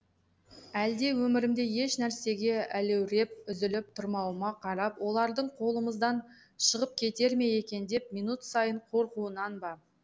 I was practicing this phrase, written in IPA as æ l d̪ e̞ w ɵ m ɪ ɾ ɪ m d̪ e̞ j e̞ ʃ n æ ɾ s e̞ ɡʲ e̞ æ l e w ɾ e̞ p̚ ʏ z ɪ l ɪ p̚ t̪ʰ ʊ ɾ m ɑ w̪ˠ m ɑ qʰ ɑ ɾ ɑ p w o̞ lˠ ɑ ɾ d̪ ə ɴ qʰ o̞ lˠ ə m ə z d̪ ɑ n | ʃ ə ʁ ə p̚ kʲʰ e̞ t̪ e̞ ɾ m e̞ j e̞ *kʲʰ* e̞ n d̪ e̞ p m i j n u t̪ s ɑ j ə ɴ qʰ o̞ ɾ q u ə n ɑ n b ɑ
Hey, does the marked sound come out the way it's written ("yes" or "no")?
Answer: no